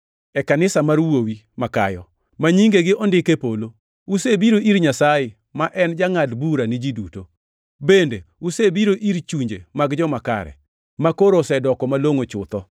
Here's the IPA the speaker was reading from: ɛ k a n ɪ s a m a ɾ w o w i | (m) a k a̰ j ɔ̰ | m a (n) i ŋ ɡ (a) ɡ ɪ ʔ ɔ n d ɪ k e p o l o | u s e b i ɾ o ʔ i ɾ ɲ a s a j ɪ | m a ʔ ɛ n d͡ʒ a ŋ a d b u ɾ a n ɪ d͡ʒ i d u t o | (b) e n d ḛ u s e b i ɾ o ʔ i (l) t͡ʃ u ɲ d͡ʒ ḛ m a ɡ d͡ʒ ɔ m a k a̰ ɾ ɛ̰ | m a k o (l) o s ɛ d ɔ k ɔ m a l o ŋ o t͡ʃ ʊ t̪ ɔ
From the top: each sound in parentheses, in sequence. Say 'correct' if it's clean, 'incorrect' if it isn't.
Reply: correct, incorrect, incorrect, correct, incorrect, incorrect

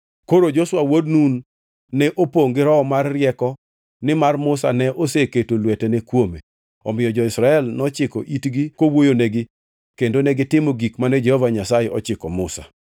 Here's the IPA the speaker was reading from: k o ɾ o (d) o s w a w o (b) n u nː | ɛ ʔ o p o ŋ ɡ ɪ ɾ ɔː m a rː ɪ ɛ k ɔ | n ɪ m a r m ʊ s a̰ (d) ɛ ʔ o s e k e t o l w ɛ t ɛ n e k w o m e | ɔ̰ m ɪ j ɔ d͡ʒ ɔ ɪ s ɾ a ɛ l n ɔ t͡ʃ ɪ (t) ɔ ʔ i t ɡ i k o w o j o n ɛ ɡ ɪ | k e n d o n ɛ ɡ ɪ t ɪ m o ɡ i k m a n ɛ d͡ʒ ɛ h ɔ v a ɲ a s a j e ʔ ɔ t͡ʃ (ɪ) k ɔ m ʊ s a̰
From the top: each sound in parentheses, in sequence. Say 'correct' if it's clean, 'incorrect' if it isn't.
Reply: incorrect, incorrect, incorrect, incorrect, correct

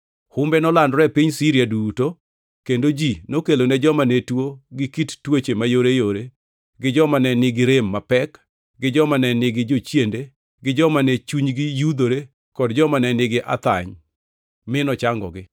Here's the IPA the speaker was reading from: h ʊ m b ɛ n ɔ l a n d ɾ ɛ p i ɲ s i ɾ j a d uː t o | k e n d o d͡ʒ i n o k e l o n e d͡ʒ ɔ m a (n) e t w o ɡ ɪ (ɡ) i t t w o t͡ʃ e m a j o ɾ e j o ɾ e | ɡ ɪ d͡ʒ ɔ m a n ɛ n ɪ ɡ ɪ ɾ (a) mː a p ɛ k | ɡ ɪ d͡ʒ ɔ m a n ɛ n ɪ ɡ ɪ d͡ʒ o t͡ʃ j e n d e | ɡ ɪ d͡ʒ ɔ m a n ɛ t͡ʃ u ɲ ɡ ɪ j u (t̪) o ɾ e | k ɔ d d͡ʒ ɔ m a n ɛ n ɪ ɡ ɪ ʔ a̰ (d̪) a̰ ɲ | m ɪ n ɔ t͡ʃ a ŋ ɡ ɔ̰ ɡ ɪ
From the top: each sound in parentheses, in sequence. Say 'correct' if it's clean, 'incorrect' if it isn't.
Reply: correct, incorrect, incorrect, incorrect, incorrect

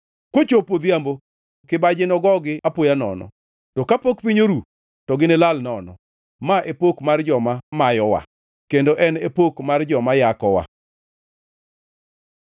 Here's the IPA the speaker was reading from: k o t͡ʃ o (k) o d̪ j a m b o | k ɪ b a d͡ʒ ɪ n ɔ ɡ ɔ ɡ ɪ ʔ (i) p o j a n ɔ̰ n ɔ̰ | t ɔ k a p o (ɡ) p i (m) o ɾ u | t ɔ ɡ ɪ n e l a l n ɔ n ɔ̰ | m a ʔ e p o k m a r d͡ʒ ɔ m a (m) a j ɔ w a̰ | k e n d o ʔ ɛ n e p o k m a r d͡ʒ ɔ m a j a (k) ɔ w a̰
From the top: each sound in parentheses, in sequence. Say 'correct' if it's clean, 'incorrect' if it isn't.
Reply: incorrect, incorrect, incorrect, incorrect, correct, correct

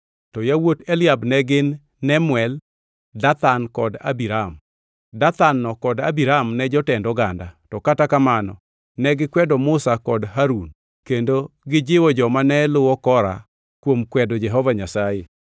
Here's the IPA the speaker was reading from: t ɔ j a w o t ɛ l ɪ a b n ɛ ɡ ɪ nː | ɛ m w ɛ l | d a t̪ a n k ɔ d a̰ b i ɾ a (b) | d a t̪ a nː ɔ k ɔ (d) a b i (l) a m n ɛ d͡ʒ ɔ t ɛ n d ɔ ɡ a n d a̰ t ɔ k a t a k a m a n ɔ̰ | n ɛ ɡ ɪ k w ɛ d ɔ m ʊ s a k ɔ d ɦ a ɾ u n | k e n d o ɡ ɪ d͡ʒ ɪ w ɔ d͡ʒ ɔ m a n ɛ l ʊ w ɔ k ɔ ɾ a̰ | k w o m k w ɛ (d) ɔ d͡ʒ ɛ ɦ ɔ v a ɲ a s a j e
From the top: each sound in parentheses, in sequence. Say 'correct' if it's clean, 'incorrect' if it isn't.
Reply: incorrect, correct, incorrect, correct

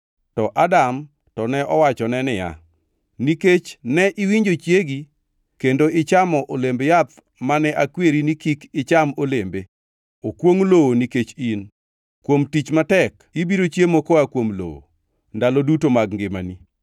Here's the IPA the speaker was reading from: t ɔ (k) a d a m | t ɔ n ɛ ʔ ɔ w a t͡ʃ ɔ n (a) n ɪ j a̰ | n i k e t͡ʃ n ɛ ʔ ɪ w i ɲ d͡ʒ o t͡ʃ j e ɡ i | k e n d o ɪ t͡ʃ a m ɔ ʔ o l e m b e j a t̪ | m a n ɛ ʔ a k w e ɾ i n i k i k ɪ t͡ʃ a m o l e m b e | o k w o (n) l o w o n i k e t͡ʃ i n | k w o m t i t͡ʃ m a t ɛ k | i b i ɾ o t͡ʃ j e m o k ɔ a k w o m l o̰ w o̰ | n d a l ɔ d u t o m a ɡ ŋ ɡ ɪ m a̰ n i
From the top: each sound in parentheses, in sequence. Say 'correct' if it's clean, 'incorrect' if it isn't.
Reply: incorrect, incorrect, incorrect

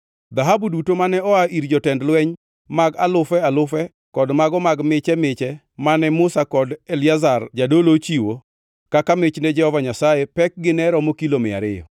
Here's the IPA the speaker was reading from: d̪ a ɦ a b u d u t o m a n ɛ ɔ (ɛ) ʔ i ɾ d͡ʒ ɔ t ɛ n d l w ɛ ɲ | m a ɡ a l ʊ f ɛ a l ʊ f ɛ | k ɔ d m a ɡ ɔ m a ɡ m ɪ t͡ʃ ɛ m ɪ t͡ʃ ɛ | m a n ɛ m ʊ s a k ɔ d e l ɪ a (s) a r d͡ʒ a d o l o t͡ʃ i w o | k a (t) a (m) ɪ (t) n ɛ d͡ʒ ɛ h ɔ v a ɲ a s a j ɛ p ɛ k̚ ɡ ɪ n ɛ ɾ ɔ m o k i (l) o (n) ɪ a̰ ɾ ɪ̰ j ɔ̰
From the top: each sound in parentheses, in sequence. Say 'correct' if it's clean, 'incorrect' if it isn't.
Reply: incorrect, incorrect, incorrect, correct, incorrect, correct, incorrect

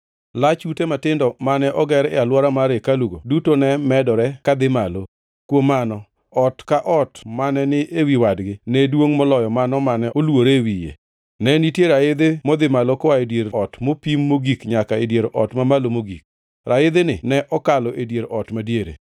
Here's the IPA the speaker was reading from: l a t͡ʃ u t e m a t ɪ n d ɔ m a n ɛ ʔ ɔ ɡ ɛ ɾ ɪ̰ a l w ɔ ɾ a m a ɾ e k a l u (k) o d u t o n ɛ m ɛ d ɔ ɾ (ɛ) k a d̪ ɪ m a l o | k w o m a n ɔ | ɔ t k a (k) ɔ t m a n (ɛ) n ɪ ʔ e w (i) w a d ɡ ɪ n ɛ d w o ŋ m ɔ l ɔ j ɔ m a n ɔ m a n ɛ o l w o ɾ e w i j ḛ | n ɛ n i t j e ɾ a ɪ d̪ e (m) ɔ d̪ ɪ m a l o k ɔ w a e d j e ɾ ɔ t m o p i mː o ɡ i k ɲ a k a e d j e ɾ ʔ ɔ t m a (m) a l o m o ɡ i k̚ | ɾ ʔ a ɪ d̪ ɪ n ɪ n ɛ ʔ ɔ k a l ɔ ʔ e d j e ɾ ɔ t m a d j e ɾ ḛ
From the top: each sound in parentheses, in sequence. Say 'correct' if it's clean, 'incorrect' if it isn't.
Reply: incorrect, correct, incorrect, correct, correct, correct, correct

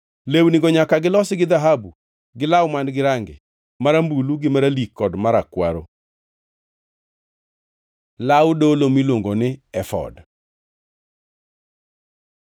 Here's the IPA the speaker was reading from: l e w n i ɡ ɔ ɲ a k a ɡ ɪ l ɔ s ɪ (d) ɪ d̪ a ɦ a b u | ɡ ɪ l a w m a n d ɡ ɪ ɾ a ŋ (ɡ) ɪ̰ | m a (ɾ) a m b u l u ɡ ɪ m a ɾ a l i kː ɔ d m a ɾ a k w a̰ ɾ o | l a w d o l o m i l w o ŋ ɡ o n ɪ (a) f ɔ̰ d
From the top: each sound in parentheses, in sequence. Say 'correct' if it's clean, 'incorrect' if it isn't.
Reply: incorrect, correct, correct, incorrect

